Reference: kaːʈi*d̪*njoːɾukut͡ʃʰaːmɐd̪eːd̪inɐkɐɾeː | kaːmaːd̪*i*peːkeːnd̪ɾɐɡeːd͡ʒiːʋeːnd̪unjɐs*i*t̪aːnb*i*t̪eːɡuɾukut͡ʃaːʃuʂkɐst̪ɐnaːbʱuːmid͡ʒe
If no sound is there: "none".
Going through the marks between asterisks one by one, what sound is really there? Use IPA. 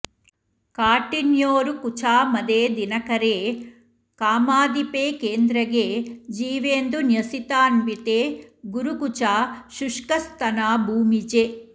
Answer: none, i, i, i

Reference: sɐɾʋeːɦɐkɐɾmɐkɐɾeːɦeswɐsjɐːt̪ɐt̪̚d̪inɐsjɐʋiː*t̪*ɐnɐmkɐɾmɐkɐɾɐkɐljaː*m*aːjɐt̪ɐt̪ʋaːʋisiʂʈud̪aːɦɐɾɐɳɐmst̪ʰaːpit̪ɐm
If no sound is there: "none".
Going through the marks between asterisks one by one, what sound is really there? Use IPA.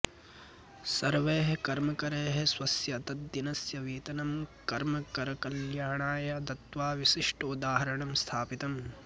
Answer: t̪, ɳ

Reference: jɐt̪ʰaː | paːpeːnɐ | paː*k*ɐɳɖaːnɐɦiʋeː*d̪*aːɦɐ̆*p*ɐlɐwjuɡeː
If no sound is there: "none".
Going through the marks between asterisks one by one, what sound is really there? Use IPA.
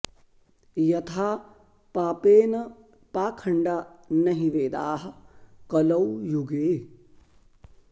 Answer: kʰ, d̪, k

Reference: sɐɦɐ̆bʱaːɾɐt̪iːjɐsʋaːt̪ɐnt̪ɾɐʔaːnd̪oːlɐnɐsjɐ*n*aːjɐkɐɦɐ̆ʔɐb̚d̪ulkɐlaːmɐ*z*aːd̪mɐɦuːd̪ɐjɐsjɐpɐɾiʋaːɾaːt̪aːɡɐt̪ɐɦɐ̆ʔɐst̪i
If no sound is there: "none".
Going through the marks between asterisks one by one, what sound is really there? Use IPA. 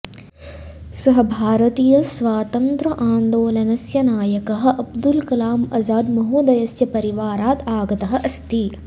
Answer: n, z

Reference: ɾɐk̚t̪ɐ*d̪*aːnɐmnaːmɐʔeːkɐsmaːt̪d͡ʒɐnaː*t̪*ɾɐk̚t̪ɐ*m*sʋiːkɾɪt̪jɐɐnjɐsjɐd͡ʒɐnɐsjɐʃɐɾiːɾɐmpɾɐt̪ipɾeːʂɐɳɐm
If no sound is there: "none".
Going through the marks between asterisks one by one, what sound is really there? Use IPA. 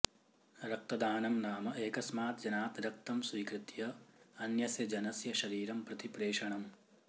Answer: d̪, t̪, m

